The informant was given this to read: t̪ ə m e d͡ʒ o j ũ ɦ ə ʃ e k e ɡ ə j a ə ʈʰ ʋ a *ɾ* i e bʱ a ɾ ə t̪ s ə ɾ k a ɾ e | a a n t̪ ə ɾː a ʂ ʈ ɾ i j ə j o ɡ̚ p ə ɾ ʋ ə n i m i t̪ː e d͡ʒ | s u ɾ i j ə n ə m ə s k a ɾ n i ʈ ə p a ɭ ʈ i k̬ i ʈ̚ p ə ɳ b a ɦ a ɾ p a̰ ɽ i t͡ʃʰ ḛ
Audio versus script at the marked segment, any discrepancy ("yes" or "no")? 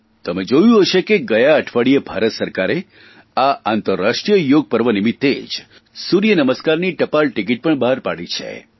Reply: yes